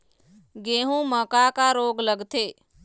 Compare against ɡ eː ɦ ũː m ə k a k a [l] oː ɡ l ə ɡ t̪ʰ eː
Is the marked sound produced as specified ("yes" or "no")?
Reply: no